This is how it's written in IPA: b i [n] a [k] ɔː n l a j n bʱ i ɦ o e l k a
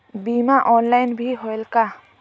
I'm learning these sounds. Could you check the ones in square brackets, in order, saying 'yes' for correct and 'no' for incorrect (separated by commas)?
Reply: no, no